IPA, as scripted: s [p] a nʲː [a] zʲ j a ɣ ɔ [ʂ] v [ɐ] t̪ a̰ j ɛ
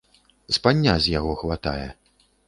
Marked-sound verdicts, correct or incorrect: correct, correct, incorrect, incorrect

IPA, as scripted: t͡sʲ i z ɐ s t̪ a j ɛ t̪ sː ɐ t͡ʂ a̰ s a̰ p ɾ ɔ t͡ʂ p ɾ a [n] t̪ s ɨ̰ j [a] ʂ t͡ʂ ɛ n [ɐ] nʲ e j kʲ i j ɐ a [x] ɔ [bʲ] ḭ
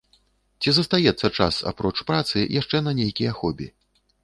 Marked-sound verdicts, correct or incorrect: incorrect, correct, correct, correct, correct

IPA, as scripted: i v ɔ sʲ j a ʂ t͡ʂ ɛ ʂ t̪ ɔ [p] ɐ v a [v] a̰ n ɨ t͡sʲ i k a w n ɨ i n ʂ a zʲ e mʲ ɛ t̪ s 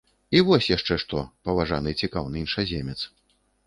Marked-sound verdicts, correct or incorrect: correct, incorrect

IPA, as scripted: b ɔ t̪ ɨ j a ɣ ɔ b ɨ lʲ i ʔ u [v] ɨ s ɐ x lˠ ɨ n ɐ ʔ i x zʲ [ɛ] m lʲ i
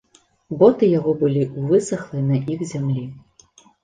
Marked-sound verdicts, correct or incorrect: correct, incorrect

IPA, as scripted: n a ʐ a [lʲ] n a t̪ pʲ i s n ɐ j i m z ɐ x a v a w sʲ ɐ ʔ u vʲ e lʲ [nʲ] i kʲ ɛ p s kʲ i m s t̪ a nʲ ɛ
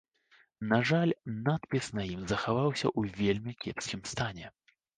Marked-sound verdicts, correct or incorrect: correct, incorrect

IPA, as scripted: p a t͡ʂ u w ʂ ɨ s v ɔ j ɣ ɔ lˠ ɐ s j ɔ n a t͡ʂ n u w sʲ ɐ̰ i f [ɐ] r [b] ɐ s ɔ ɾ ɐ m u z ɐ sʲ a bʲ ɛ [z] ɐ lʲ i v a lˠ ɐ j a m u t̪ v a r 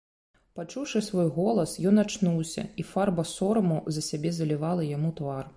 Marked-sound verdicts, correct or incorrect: incorrect, correct, correct

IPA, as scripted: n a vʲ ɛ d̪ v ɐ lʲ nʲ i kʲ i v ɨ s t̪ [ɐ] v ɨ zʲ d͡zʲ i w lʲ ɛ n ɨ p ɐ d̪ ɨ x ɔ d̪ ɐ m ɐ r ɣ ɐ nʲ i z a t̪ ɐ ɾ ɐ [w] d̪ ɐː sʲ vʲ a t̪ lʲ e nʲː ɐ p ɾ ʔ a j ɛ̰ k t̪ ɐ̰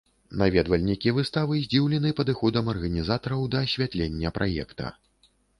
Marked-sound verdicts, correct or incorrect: incorrect, correct

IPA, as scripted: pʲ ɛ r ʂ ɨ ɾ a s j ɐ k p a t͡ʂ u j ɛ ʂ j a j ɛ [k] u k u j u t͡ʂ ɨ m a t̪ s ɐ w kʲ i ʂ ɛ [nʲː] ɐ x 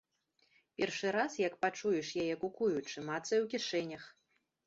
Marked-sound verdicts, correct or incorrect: correct, incorrect

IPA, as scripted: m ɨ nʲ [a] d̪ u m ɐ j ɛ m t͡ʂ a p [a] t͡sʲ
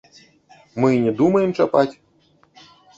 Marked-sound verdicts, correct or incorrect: incorrect, correct

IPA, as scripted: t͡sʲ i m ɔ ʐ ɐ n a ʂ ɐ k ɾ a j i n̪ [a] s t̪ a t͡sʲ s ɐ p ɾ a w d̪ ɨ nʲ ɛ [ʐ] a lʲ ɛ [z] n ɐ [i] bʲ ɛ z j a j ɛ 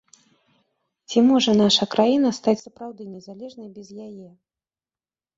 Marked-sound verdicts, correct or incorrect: incorrect, incorrect, incorrect, incorrect

